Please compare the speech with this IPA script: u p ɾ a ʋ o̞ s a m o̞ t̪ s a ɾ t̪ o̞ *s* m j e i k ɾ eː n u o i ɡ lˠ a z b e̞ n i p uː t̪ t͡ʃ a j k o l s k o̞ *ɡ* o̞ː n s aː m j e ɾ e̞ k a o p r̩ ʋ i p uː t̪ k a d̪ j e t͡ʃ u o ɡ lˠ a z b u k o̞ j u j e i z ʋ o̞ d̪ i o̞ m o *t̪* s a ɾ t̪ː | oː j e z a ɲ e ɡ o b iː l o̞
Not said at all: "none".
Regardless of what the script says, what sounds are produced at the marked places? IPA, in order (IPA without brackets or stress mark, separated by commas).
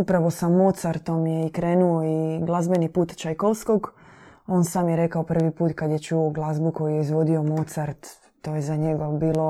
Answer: none, ɡ, t̪